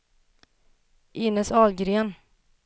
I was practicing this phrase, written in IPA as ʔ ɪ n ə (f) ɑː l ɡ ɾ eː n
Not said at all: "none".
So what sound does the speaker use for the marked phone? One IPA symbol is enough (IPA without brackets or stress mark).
s